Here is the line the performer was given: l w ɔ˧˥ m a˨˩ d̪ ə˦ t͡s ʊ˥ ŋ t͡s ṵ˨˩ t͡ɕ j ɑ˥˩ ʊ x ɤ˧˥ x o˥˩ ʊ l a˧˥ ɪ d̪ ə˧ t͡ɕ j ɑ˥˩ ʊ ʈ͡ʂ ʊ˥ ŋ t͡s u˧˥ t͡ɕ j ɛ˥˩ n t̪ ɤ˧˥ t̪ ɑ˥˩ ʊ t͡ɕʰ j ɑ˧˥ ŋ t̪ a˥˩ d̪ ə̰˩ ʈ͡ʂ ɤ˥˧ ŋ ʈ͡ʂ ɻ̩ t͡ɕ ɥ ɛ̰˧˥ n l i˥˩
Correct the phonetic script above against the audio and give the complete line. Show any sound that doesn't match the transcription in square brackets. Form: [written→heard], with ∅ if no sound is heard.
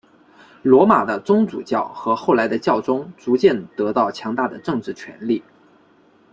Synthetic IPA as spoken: l w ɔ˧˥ m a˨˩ d̪ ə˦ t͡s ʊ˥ ŋ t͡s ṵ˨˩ t͡ɕ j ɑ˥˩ ʊ x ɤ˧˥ x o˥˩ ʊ l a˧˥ ɪ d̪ ə˧ t͡ɕ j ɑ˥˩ ʊ ʈ͡ʂ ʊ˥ ŋ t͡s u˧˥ t͡ɕ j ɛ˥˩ n t̪ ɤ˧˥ t̪ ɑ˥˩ ʊ t͡ɕʰ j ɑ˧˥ ŋ t̪ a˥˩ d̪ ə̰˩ ʈ͡ʂ ɤ˥˧ ŋ ʈ͡ʂ ɻ̩ [t͡ɕ→t͡ɕʰ] ɥ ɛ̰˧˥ n l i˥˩